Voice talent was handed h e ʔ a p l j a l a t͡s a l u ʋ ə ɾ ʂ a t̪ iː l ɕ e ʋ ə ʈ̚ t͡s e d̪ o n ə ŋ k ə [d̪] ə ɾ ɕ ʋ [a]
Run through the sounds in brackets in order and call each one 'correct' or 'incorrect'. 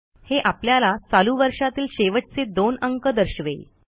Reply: correct, incorrect: e

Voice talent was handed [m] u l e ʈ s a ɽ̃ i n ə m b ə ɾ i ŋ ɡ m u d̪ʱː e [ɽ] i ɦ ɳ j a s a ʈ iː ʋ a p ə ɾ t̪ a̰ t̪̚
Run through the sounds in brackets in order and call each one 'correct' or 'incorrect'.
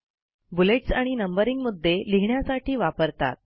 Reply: incorrect: b, incorrect: l

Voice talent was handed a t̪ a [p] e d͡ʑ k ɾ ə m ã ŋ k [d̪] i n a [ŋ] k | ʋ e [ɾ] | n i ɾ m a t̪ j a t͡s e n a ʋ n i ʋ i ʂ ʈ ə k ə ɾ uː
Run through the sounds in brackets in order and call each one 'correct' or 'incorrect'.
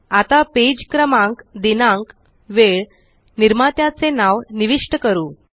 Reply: correct, correct, correct, incorrect: ɭ

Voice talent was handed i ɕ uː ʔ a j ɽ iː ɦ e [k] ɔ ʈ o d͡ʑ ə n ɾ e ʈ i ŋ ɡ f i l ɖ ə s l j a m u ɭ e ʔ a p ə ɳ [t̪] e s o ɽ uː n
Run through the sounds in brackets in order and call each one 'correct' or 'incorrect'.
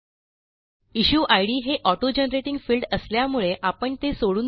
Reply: incorrect: ʔ, correct

